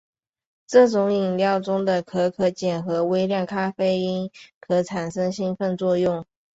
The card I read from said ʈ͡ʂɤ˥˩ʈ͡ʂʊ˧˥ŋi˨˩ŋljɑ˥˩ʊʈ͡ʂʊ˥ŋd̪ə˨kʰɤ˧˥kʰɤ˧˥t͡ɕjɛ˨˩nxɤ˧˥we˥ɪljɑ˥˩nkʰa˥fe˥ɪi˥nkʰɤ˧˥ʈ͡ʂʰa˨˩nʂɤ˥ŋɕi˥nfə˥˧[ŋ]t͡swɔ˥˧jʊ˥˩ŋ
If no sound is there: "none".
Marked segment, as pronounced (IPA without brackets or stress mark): n